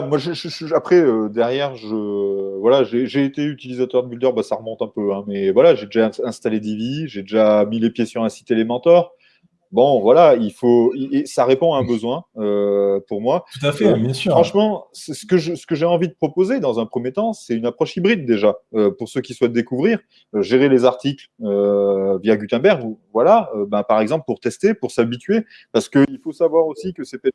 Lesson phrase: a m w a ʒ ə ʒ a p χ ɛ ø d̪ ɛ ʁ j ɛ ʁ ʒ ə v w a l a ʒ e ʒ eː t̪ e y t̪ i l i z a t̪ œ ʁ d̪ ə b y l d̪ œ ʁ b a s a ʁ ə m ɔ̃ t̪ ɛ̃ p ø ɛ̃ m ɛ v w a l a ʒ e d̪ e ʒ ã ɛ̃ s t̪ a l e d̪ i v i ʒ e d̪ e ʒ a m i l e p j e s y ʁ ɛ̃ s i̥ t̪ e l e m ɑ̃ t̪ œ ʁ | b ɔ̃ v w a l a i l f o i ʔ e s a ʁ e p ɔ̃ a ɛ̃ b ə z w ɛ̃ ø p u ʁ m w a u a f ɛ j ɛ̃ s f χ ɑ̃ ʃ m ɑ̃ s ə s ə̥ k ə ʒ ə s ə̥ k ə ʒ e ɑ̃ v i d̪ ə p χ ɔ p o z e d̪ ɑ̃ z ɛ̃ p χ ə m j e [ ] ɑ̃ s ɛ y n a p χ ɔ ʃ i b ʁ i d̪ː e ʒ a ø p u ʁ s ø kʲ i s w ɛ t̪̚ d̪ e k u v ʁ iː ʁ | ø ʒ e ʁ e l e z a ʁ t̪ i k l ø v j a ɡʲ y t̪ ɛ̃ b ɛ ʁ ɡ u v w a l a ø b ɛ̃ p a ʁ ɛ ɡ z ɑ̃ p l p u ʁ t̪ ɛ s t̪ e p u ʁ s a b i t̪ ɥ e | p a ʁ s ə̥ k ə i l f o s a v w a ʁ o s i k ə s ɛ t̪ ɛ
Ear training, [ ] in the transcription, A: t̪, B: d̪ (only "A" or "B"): A